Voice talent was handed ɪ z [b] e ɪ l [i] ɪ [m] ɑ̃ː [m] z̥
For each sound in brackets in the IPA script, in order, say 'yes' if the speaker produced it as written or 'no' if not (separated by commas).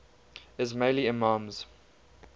no, yes, yes, yes